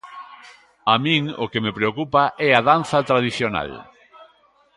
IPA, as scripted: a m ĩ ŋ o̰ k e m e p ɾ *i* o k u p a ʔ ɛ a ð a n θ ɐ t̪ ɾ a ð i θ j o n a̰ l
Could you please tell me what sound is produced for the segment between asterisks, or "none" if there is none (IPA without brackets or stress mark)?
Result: e